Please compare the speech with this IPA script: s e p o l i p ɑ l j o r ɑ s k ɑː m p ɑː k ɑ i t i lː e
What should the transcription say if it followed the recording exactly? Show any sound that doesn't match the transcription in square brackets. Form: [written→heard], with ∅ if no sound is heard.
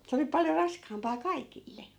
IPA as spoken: s e [p→∅] o l i p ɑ l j o r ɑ s k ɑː m p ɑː k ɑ i [t→k] i lː e